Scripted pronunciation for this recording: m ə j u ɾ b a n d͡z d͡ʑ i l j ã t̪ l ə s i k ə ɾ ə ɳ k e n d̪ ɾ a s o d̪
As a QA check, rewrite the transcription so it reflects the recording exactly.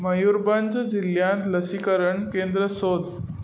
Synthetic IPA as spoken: m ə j u ɾ b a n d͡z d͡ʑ i l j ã t̪ l ə s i k ə ɾ ə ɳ k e n d̪ ɾ ə s o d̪